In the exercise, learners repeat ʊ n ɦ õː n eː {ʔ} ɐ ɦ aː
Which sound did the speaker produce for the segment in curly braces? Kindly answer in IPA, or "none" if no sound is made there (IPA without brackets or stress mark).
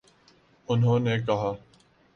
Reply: k